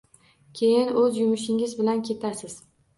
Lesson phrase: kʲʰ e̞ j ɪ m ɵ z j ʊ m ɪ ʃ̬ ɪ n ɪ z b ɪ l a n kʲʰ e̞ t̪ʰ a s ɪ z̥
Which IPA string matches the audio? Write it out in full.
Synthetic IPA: kʲʰ e̞ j ɪ n ɵ z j ʊ m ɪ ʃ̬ ɪ ŋ ɪ z b ɪ l a n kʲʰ e̞ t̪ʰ a s ɪ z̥